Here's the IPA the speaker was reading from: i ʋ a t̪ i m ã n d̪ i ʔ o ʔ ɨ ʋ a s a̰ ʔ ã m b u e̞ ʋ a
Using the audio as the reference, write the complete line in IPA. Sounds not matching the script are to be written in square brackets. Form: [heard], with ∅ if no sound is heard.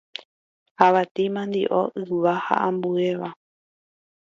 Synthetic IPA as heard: [a] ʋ a t̪ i m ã n d̪ i ʔ o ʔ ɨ ʋ a [h] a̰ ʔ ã m b u e̞ ʋ a